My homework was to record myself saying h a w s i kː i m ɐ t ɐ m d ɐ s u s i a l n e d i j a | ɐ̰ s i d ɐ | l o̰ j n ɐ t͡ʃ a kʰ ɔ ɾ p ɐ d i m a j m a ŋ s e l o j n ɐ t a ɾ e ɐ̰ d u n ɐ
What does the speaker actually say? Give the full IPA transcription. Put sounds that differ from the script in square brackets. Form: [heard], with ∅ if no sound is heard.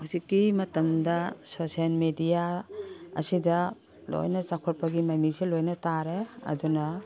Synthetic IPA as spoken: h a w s i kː i m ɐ t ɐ m d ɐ s [o] s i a l [m] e d i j a | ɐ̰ s i d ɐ | l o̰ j n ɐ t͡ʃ a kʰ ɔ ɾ p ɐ [ɡ] i m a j m [i] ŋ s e l o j n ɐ t a ɾ e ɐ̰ d u n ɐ

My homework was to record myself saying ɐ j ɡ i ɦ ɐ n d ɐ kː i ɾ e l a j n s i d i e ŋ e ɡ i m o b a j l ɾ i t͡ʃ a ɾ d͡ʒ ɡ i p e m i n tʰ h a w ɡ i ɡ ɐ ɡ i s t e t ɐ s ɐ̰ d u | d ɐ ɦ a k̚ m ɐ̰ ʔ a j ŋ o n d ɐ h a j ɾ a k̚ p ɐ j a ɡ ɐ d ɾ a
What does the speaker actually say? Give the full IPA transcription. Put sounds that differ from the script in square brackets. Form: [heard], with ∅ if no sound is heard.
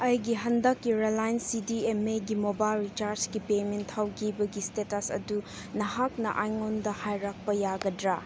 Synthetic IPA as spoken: ɐ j ɡ i ɦ ɐ n d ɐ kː i ɾ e l a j n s i d i e [m] e ɡ i m o b a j l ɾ i t͡ʃ a ɾ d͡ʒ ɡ i p e m [e] n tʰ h a w ɡ i [b] ɐ ɡ i s t e t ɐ s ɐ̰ d u | [n] ɐ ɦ a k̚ [n] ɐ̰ ʔ a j ŋ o n d ɐ h a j ɾ a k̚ p ɐ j a ɡ ɐ d ɾ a

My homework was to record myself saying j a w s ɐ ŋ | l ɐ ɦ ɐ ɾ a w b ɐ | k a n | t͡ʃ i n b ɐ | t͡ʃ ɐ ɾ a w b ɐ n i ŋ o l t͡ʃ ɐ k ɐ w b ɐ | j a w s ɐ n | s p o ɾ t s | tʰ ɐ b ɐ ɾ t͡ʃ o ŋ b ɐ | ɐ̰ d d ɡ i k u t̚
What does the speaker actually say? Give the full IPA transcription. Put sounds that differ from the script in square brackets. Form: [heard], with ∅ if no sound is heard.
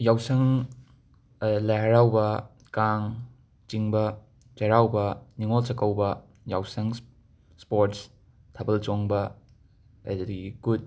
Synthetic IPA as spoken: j a w s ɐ ŋ | l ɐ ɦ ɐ ɾ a w b ɐ | k a [ŋ] | t͡ʃ i [ŋ] b ɐ | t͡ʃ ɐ ɾ a w b ɐ n i ŋ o l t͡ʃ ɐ k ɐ w b ɐ | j a w s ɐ [ŋ] | s p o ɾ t s | tʰ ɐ b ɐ [l] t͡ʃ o ŋ b ɐ | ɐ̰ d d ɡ i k u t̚

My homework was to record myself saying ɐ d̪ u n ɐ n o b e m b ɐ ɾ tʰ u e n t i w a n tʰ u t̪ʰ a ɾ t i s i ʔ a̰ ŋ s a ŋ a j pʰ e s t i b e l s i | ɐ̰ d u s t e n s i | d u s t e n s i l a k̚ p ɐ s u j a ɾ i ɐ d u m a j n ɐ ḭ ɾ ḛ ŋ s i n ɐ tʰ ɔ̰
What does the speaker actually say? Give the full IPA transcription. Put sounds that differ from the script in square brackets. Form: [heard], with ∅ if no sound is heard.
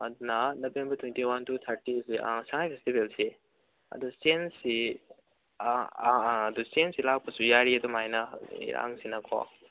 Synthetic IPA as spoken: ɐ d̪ u n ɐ n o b e m b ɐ ɾ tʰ [w] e n t i w a n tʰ u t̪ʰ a ɾ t i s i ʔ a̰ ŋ s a ŋ a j pʰ e s t i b e l s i | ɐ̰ d u s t e n s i | d u s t e n s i l a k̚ p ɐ s u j a ɾ i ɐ d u m a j n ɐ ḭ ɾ [a̰] ŋ s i n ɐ [kʰ] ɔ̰

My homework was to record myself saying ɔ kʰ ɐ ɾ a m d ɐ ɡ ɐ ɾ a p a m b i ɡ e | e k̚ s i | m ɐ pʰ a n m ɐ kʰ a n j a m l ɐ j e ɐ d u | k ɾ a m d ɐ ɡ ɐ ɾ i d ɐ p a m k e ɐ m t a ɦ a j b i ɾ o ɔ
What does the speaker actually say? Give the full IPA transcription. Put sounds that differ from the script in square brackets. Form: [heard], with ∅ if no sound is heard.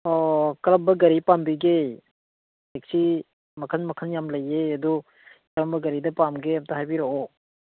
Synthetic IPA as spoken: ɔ [k] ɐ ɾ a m [b] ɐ ɡ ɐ ɾ [i] p a m b i ɡ e | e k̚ s i | m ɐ [kʰ] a n m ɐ kʰ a n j a m l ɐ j e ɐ d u | k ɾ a m [b] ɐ ɡ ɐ ɾ i d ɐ p a m [ɡ] e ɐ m t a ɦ a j b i ɾ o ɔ

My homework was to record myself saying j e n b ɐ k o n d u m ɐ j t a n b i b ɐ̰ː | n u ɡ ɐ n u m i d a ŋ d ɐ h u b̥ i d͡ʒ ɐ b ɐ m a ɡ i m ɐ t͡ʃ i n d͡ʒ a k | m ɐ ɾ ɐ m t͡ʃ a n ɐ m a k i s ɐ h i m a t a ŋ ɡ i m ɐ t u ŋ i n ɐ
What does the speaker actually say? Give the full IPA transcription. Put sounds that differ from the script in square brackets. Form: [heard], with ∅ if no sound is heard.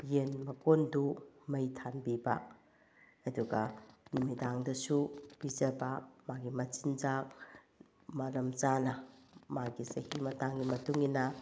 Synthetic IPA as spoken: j e n [m] ɐ k o n d u m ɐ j [tʰ] a n b i b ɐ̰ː | [d] u ɡ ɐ n u m i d a ŋ d ɐ [s] u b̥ i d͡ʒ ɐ b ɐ m a ɡ i m ɐ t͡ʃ i n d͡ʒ a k | m ɐ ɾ ɐ m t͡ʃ a n ɐ m a [ɡ] i s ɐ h i m [ɐ] t a ŋ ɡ i m ɐ t u ŋ i n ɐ

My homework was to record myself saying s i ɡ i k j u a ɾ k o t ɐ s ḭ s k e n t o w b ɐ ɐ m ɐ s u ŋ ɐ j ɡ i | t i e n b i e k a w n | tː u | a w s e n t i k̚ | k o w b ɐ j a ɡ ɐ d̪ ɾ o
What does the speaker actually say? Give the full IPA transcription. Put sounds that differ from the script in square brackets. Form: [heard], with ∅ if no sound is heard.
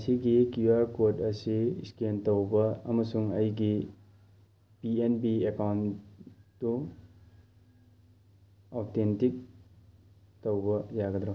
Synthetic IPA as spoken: s i ɡ i k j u a ɾ k o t ɐ s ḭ s k e n t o w b ɐ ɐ m ɐ s u ŋ ɐ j ɡ i | [p] i e n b i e k a w n | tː u | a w [t] e n t i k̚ | [t] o w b ɐ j a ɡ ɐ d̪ ɾ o

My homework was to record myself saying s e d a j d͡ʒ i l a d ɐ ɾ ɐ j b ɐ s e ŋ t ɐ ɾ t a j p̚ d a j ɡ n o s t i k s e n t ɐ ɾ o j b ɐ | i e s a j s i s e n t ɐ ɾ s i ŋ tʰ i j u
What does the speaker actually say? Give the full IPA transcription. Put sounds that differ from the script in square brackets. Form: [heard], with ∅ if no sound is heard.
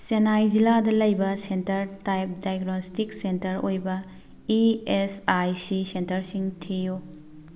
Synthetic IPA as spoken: s e [n] a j d͡ʒ i l a d ɐ [l] ɐ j b ɐ s e [n] t ɐ ɾ t a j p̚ d a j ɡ n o s t i k s e n t ɐ ɾ o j b ɐ | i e s a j s i s e n t ɐ ɾ s i ŋ tʰ i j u

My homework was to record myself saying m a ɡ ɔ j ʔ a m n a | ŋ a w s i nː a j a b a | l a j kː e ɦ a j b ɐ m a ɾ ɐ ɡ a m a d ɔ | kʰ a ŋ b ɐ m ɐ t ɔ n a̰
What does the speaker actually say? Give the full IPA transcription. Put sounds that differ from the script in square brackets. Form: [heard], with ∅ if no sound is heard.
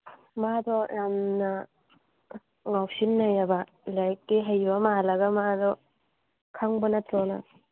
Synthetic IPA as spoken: m a [d] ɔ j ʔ a m n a | ŋ a w s i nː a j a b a | l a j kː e ɦ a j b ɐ m a [l] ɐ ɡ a m a d ɔ | kʰ a ŋ b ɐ [n] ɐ t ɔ n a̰

